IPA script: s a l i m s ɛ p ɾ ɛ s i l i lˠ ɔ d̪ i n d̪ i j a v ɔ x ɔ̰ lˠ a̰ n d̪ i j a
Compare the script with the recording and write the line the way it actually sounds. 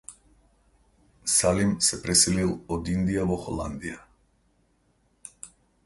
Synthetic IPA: s a l i m s ɛ p ɾ ɛ s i l i lˠ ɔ d̪ i n d̪ i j a v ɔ x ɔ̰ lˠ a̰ n d̪ i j a